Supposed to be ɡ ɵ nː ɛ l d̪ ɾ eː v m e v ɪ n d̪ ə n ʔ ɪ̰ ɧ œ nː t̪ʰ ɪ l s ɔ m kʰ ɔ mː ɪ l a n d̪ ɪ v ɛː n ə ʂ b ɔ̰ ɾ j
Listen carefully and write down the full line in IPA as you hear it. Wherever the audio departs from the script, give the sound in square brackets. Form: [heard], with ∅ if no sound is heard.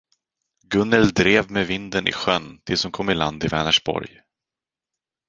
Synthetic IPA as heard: ɡ ɵ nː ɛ l d̪ ɾ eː v m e v ɪ n d̪ ə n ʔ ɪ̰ ɧ œ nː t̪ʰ ɪ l s ɔ m kʰ ɔ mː ɪ l a n d̪ ɪ v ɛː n ə ʂ b ɔ̰ ɾ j